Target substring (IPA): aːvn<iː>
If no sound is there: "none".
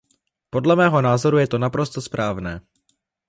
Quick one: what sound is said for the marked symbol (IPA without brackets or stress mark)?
ɛː